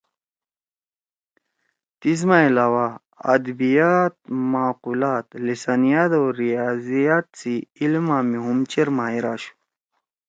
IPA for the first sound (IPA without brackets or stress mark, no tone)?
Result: t̪